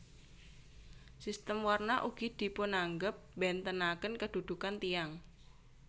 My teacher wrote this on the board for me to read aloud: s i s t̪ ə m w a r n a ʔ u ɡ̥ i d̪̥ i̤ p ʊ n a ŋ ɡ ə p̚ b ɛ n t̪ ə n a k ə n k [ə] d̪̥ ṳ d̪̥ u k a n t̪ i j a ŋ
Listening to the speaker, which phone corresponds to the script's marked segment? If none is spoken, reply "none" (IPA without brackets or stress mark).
ə